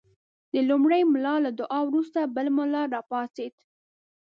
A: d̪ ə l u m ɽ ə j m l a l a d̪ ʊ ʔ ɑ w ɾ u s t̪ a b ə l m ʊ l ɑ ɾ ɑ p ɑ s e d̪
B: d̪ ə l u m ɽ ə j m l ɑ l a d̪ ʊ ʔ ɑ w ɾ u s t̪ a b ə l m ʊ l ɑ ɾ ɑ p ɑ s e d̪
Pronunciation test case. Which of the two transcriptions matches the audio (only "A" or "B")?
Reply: B